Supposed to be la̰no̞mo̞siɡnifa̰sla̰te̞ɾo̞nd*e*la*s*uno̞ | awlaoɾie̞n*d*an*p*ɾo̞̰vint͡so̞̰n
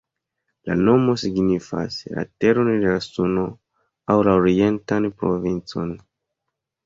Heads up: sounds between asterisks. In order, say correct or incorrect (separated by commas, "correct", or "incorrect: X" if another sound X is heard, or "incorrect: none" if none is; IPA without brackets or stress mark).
correct, correct, incorrect: t, correct